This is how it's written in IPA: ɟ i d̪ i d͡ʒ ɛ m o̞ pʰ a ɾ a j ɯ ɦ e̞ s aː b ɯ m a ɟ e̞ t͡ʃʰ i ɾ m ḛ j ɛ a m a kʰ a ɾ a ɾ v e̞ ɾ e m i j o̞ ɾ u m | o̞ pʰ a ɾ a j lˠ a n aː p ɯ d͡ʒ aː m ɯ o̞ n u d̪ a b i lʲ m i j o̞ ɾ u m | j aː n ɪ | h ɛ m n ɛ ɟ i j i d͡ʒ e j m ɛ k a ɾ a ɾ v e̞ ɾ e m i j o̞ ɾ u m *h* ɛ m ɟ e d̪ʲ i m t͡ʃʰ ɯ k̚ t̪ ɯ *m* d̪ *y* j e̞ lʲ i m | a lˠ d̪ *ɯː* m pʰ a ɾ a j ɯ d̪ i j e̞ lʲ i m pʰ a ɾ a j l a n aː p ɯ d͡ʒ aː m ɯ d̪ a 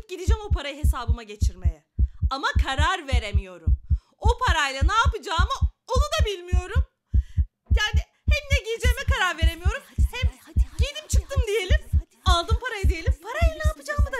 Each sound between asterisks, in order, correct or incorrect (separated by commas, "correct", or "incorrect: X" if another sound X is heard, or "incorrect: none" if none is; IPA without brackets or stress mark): correct, correct, incorrect: i, incorrect: ɯ